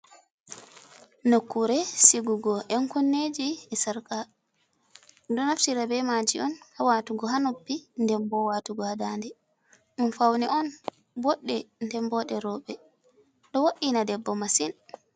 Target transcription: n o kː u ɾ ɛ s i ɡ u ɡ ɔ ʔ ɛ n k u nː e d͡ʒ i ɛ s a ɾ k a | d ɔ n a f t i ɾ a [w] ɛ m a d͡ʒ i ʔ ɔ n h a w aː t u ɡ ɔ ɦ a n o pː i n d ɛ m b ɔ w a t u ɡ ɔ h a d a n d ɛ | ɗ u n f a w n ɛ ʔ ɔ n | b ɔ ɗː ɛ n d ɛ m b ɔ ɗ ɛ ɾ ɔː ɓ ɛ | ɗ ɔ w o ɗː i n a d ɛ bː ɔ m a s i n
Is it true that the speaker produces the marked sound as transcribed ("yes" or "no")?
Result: no